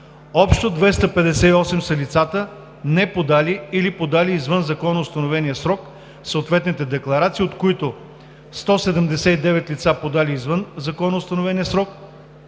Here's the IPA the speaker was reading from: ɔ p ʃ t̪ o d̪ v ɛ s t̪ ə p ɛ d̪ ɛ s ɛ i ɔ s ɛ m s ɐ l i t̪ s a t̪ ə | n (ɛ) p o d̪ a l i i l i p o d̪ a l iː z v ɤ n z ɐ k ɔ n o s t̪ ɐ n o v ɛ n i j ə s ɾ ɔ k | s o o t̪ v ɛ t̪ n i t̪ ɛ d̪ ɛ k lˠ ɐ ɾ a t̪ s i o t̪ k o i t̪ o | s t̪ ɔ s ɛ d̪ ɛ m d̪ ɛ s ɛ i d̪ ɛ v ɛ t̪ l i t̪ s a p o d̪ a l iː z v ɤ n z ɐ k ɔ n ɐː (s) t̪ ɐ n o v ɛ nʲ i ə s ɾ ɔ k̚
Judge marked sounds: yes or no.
yes, yes

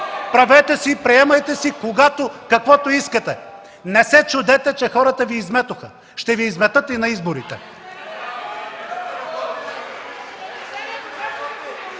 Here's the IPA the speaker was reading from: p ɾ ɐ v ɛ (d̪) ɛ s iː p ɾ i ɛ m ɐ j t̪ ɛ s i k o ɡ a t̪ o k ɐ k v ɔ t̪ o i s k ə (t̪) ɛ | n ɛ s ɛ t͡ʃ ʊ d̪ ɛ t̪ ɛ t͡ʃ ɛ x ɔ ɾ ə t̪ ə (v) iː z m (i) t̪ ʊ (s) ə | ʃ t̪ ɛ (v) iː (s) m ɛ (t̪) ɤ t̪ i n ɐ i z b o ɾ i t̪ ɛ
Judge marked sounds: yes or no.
no, yes, yes, no, no, yes, no, yes

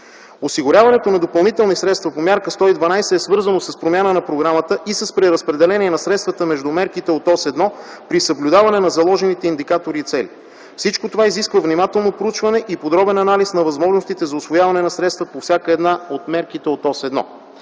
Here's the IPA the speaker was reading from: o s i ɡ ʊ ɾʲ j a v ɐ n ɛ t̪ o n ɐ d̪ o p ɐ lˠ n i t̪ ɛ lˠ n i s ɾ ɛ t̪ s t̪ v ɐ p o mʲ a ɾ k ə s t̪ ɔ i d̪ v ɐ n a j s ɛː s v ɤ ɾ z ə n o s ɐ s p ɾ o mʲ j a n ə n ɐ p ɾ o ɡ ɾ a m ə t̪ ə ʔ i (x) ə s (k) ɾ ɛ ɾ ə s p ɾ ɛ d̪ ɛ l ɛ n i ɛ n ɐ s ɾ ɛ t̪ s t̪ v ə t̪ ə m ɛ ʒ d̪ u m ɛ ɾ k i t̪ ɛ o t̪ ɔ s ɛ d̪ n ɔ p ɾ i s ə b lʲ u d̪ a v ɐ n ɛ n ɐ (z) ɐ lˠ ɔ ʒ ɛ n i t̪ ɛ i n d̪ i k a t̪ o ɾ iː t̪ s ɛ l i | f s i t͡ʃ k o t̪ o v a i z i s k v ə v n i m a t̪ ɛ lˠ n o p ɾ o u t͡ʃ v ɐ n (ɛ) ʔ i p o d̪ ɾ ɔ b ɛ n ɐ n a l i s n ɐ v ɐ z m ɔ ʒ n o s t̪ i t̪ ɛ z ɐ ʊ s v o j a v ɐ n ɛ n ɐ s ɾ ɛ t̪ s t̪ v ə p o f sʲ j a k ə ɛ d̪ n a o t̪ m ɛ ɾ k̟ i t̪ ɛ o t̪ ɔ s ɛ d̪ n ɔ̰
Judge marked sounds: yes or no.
no, no, yes, yes

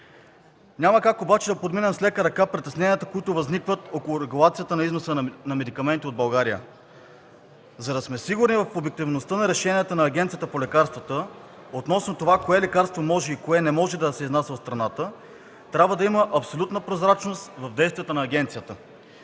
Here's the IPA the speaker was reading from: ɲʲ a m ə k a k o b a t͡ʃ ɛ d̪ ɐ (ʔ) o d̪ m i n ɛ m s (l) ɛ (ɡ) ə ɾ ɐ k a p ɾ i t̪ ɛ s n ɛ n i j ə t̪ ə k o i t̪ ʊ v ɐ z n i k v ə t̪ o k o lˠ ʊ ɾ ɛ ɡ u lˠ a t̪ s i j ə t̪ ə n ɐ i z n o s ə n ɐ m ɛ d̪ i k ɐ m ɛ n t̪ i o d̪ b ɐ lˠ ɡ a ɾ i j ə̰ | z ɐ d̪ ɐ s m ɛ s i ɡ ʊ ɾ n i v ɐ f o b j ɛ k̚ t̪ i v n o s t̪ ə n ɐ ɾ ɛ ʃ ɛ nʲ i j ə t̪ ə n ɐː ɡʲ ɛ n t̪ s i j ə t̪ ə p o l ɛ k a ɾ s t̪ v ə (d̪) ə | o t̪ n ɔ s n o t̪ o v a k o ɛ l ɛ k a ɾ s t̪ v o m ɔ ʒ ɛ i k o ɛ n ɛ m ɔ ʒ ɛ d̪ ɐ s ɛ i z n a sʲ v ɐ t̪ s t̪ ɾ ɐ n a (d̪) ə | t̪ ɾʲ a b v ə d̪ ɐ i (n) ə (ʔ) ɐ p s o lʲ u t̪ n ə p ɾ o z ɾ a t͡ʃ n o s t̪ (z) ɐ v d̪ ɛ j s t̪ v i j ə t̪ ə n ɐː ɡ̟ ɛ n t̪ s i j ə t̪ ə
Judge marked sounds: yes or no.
no, yes, no, no, no, no, yes, no

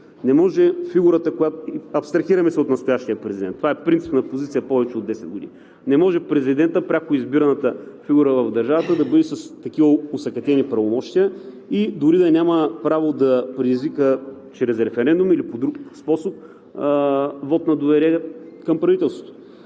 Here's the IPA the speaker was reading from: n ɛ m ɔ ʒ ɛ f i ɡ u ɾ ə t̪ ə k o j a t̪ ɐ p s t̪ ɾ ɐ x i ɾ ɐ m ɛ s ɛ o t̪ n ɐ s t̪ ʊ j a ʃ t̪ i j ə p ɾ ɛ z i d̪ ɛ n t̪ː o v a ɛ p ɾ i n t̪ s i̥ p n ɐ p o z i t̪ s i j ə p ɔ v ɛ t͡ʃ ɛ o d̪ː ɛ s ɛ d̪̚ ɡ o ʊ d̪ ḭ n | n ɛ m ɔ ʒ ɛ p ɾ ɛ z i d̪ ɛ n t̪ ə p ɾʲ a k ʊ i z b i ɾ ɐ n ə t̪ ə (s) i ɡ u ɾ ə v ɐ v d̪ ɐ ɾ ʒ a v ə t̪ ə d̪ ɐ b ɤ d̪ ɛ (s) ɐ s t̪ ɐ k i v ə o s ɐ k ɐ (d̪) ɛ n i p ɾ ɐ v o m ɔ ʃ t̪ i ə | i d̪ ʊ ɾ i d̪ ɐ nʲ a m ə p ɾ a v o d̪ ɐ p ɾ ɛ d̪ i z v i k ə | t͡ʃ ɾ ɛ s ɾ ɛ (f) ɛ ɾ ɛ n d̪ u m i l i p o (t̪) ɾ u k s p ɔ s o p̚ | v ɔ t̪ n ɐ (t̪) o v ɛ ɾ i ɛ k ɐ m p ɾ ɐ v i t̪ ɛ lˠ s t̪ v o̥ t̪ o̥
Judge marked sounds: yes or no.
no, yes, no, yes, no, no

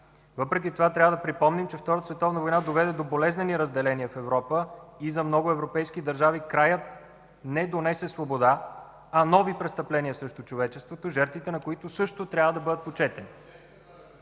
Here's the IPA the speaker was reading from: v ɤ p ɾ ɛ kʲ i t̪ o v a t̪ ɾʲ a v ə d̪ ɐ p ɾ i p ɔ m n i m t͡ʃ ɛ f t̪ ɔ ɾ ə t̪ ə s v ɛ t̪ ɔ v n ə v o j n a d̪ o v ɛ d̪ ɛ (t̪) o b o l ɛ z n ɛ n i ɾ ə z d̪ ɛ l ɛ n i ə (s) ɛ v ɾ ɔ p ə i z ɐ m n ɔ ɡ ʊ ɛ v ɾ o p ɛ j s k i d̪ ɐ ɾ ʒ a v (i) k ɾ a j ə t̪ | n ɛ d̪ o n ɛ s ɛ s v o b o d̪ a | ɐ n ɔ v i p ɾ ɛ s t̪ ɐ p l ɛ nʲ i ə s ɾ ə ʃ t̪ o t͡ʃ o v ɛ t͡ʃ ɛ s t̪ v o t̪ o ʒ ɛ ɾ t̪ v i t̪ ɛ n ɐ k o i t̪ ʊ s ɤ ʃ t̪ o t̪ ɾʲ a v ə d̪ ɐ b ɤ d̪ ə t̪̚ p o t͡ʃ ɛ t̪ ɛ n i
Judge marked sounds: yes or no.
no, no, yes

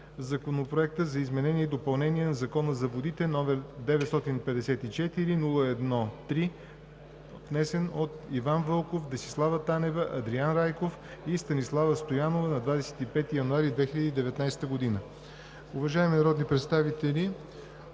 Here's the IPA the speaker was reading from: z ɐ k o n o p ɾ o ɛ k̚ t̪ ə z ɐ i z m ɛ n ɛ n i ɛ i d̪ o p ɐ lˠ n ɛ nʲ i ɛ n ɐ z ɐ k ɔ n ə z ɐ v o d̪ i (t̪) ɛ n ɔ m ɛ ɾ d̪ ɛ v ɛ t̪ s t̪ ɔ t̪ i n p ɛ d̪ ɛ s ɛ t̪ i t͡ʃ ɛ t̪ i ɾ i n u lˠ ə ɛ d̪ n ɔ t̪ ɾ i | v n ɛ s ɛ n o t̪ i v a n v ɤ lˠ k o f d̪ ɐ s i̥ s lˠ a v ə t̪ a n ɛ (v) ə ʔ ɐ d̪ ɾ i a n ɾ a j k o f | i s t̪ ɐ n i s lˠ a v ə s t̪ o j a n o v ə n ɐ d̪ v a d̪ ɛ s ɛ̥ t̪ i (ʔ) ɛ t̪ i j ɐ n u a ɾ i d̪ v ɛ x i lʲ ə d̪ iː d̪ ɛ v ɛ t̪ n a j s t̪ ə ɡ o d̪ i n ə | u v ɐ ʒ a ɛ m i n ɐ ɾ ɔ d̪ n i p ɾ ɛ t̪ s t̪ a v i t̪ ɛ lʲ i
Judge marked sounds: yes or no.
yes, yes, no

